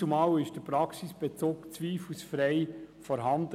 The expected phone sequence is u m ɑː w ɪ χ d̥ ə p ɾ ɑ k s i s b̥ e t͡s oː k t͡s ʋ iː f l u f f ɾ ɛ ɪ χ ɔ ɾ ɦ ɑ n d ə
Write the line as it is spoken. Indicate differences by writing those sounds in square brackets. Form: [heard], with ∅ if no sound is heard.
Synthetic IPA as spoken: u m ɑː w ɪ [ʃ] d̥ ə p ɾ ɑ k s i s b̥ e t͡s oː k t͡s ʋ iː f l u [s] f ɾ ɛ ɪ [f] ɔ ɾ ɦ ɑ n d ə